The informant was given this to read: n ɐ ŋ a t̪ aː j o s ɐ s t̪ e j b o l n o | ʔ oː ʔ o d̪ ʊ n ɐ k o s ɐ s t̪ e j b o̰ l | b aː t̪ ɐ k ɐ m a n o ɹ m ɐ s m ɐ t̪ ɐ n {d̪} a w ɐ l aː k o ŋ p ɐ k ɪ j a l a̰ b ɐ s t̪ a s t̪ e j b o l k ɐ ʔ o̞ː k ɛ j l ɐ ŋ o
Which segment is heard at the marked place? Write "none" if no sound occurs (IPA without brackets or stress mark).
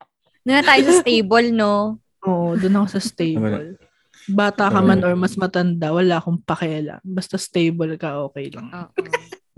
d̪